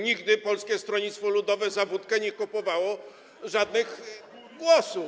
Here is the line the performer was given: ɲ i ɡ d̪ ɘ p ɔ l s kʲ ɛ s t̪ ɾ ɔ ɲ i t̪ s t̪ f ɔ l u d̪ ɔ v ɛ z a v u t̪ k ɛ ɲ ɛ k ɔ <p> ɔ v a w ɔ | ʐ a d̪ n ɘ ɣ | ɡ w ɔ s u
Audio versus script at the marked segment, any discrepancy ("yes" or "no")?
no